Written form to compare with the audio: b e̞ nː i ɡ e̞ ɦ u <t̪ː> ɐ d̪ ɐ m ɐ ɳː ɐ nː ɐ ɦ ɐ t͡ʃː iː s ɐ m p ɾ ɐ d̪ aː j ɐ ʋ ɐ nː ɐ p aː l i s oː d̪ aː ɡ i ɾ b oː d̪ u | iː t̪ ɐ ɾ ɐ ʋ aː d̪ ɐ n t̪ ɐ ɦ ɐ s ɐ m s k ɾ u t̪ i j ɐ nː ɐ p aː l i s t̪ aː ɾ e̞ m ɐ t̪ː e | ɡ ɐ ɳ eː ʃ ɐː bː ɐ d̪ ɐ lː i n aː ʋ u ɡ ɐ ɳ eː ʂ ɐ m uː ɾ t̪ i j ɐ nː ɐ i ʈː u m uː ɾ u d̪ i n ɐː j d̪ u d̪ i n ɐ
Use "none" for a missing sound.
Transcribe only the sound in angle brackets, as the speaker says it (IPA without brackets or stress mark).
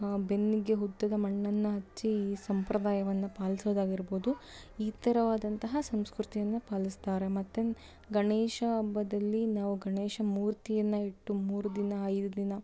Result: d̪ː